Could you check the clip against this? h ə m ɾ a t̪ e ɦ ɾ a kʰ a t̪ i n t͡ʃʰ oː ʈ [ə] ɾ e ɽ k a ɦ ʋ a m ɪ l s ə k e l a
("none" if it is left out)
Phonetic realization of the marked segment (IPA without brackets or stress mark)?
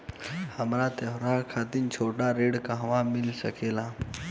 a